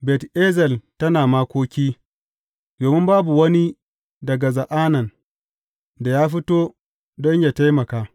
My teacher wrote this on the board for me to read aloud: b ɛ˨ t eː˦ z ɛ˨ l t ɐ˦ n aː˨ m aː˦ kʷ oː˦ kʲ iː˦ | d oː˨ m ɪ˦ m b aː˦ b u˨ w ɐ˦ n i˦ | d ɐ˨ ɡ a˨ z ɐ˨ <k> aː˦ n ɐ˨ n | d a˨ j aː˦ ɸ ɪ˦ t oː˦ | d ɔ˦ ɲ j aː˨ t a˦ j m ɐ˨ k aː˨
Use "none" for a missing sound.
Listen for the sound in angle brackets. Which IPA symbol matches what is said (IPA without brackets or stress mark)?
ʔ